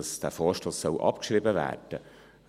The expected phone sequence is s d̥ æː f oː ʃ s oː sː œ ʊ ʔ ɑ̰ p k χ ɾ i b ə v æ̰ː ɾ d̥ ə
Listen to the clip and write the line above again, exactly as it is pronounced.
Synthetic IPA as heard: s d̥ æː f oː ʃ t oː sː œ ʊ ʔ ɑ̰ p k ʃ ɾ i b ə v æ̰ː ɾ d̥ ə